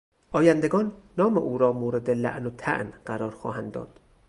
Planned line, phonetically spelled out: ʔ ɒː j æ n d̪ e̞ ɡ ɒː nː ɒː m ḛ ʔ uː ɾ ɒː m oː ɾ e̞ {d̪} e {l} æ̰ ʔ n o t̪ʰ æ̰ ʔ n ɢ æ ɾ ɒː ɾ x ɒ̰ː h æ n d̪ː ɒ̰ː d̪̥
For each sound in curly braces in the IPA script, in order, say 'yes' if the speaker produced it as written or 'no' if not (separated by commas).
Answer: yes, yes